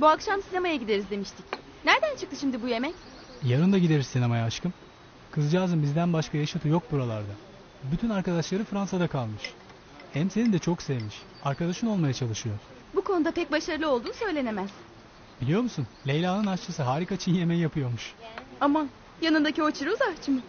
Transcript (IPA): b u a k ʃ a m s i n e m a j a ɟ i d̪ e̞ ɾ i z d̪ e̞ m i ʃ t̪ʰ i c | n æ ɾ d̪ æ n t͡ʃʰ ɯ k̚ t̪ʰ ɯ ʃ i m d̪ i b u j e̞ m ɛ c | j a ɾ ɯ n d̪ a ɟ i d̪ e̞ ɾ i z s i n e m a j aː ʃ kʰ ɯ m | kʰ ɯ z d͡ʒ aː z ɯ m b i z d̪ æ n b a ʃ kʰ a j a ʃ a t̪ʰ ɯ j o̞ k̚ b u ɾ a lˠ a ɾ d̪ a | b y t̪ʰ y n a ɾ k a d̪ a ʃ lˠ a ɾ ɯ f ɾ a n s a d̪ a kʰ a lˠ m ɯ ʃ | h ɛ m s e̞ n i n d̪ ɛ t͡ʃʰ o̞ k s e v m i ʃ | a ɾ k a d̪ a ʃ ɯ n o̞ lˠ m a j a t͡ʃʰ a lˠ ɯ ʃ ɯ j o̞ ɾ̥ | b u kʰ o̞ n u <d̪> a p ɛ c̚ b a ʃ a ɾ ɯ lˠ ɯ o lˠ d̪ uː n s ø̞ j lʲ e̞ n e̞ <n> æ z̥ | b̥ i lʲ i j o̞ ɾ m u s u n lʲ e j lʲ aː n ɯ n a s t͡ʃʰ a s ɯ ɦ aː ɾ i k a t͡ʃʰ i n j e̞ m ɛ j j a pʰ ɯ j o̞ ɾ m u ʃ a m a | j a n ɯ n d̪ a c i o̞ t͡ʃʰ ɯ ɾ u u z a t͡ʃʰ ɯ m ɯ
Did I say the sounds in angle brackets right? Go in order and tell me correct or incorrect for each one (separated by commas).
correct, incorrect